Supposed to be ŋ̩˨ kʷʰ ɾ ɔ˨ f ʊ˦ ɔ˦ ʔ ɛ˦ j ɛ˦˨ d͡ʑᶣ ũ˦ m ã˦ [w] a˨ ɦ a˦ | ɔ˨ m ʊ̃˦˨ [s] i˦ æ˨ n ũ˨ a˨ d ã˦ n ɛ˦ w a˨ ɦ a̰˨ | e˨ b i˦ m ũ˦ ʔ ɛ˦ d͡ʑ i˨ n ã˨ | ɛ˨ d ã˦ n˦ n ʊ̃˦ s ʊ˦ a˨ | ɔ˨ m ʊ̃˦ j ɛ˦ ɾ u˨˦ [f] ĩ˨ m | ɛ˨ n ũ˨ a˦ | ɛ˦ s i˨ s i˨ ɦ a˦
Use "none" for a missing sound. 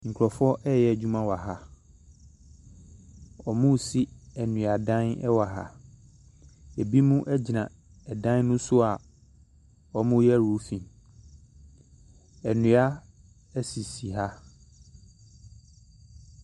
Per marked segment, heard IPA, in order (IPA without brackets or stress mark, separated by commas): w, s, f